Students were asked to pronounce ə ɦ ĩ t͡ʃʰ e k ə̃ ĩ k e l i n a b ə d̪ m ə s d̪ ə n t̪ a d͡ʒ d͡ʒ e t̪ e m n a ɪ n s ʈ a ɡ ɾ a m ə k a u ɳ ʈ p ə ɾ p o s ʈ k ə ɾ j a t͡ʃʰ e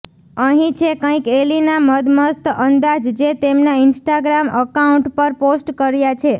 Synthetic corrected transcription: ə ɦ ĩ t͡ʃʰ e k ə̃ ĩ k e l i n a m ə d̪ m ə s t̪ ə n d̪ a d͡ʒ d͡ʒ e t̪ e m n a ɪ n s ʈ a ɡ ɾ a m ə k a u ɳ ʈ p ə ɾ p o s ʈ k ə ɾ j a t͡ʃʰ e